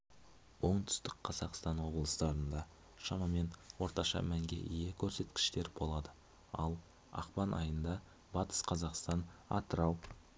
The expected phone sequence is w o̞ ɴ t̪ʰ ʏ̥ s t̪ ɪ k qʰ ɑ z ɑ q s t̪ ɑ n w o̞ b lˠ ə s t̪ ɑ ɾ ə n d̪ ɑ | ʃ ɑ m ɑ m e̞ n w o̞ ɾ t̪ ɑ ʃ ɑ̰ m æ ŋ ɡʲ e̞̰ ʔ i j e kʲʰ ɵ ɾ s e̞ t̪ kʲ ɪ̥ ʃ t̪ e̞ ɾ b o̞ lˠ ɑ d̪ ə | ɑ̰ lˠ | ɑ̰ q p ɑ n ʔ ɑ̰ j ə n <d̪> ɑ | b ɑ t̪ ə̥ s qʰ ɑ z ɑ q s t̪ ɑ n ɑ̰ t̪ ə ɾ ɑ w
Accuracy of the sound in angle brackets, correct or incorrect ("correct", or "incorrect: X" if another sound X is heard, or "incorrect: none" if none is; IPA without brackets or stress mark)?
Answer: correct